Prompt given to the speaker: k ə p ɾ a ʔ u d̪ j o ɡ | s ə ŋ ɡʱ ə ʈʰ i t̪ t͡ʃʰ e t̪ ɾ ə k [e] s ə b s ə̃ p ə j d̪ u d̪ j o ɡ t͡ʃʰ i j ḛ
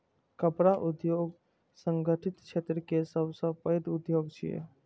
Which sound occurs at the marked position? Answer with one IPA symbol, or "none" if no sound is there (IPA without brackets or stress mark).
e